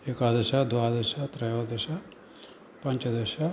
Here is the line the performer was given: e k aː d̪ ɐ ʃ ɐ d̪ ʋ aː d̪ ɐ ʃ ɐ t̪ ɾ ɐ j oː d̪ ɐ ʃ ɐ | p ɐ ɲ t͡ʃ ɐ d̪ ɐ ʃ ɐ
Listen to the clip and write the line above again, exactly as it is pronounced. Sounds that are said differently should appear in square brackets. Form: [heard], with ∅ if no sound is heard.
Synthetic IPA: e k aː d̪ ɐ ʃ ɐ d̪ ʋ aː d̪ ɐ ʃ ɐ t̪ ɾ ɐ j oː d̪ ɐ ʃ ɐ | p ɐ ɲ t͡ʃ ɐ d̪ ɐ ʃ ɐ